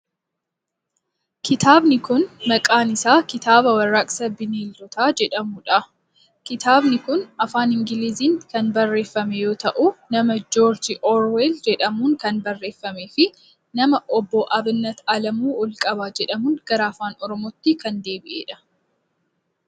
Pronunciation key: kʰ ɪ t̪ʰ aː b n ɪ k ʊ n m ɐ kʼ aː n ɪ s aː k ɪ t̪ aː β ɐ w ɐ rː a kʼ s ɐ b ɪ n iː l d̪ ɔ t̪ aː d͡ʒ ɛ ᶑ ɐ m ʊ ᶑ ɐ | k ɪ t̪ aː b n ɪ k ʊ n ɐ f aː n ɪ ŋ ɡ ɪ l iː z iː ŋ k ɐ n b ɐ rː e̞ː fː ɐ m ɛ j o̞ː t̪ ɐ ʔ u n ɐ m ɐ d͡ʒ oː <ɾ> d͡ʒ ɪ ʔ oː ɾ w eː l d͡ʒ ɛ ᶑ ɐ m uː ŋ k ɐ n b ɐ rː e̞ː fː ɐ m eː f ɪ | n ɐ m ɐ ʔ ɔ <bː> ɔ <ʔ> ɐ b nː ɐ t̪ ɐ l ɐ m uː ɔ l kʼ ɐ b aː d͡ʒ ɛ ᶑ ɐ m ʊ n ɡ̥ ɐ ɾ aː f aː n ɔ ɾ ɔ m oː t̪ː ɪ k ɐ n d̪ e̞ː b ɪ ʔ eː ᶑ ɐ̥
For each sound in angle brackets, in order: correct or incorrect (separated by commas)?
correct, correct, correct